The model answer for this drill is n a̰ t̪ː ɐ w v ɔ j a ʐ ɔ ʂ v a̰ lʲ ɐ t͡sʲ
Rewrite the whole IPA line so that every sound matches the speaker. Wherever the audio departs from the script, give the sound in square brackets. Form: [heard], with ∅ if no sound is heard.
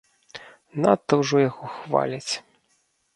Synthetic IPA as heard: n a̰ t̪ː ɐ w [ʐ] ɔ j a [ɣ] ɔ [x] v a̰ lʲ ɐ t͡sʲ